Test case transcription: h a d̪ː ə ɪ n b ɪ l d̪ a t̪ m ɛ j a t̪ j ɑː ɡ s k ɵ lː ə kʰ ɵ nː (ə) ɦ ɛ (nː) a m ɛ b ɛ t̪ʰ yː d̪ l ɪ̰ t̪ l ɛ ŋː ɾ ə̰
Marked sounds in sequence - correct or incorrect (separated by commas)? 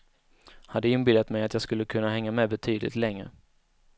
incorrect, incorrect